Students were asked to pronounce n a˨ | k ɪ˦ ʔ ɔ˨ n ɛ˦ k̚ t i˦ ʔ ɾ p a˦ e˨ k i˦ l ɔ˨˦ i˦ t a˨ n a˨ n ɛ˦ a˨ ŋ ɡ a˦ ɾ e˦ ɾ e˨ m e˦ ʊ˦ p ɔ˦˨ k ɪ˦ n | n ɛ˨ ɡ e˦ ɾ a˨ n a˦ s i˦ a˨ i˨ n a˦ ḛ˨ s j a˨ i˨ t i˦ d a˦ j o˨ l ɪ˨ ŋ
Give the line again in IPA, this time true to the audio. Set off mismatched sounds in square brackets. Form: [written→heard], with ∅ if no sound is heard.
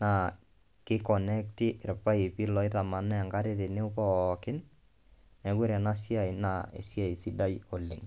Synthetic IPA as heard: n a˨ | k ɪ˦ [ʔ→k] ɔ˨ n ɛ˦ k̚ t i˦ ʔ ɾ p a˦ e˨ [k→p] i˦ l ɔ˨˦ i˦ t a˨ [n→m] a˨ n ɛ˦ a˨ ŋ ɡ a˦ ɾ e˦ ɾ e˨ [m→n] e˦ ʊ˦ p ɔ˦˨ k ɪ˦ n | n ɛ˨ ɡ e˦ ɾ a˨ n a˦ s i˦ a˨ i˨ n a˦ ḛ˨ s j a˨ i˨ [t→s] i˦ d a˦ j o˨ l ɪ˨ ŋ

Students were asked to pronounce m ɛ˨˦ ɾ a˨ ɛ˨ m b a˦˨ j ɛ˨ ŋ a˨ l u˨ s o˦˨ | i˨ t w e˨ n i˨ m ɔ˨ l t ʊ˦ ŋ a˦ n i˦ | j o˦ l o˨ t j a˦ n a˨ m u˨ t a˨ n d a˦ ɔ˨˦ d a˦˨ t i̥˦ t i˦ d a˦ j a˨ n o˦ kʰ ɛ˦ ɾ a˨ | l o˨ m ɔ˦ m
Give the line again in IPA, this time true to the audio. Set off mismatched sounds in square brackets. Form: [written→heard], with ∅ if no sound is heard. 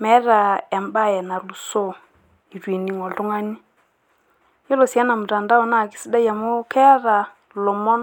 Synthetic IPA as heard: m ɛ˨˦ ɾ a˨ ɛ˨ m b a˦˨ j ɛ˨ [ŋ→n] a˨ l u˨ s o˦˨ | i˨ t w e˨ n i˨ [m→ŋ] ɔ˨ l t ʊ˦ ŋ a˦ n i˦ | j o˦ l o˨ [t→s] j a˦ n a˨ m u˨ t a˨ n d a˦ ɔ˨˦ [d→n] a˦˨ [t→k] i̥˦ [t→s] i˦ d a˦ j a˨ [n→m] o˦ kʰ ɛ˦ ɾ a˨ | l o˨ m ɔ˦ [m→n]

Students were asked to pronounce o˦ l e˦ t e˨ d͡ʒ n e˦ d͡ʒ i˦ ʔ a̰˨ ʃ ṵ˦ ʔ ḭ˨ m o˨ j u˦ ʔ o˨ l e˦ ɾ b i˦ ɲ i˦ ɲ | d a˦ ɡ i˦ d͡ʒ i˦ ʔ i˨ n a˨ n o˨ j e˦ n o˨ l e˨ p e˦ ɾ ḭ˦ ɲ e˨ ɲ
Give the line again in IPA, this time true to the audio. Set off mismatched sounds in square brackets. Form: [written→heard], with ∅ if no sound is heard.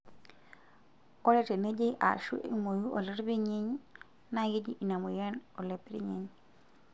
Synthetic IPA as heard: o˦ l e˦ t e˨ [d͡ʒ→∅] n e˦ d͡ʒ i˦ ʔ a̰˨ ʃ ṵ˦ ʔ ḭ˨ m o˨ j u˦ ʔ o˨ l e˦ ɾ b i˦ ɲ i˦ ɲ | [d→n] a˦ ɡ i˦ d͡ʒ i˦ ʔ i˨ n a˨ [n→m] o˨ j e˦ n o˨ l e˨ p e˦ ɾ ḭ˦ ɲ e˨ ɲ

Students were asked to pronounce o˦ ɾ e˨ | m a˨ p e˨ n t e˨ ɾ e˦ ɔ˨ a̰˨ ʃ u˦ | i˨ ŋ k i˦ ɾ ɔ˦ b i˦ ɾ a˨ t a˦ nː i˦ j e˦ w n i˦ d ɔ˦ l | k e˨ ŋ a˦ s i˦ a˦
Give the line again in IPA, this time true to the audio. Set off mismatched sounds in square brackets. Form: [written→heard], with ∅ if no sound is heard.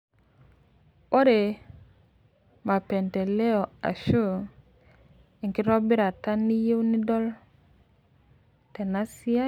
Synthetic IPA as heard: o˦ ɾ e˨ | m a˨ p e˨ n t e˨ [ɾ→l] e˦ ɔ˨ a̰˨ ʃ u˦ | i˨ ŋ k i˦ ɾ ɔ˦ b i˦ ɾ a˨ t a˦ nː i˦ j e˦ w n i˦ d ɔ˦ l | [k→t] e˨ [ŋ→n] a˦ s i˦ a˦

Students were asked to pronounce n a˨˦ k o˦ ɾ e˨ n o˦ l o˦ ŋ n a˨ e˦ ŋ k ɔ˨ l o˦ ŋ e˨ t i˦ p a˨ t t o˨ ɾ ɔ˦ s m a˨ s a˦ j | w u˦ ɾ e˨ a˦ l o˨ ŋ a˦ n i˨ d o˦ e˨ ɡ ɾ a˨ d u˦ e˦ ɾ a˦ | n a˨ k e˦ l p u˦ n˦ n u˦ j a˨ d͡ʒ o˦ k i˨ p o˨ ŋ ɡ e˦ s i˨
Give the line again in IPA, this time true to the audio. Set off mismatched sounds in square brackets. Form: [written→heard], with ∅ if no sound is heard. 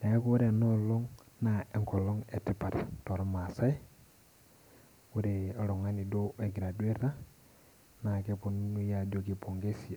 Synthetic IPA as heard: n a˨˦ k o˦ ɾ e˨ n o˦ l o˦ ŋ n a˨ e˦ ŋ k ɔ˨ l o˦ ŋ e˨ t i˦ p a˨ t t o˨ ɾ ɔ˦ [s→∅] m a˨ s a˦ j | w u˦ ɾ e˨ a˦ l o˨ ŋ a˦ n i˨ d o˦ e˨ ɡ ɾ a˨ d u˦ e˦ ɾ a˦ | n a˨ k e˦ [l→∅] p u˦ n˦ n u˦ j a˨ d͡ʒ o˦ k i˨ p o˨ ŋ ɡ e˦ s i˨

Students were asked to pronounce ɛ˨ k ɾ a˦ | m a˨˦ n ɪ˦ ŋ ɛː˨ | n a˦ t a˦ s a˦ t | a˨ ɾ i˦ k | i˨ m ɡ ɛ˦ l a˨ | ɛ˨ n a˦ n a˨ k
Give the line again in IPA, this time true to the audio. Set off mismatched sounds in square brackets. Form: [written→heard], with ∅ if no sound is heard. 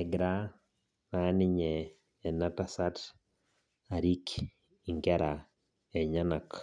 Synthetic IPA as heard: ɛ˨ [k→ɡ] ɾ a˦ | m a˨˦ n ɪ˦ [ŋ→ɲ] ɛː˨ | n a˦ t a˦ s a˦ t | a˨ ɾ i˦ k | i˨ [m→ŋ] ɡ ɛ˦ [l→ɾ] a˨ | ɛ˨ [n→ɲ] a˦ n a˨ k

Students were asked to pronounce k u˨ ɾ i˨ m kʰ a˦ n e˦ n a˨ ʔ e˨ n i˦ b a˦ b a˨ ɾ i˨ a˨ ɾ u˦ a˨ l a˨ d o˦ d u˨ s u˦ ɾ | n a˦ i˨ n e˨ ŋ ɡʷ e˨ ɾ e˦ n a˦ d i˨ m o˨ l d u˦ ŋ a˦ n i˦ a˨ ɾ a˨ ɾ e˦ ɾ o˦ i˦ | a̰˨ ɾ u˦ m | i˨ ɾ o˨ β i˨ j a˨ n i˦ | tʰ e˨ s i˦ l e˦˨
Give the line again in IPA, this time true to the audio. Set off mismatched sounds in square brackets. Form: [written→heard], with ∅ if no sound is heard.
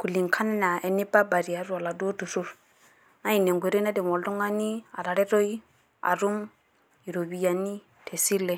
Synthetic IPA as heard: k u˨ [ɾ→l] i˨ [m→ŋ] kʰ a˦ n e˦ n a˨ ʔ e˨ n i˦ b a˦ b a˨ ɾ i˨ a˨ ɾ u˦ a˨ l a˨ d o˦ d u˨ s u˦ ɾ | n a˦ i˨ n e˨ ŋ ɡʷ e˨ ɾ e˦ n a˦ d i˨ m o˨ l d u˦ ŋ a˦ n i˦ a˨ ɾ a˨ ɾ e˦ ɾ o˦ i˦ | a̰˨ ɾ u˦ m | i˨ ɾ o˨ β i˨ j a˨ n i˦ | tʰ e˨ s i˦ l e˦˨

